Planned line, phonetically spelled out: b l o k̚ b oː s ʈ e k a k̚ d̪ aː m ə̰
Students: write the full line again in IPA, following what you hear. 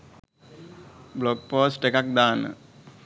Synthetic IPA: b l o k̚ p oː s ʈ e k a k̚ d̪ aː n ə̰